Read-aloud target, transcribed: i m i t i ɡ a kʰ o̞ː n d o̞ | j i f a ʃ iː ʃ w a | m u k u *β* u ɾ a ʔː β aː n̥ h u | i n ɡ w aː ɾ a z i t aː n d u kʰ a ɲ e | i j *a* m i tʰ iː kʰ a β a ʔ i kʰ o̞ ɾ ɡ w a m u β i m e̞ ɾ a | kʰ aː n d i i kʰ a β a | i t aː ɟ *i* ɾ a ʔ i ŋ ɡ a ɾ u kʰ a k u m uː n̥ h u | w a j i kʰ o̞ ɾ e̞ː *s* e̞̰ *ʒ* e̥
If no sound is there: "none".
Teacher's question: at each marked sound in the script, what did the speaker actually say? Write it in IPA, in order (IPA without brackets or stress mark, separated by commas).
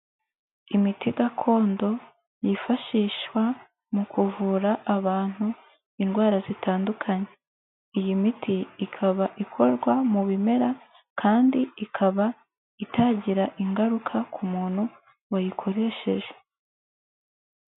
v, i, i, ʃ, ʒ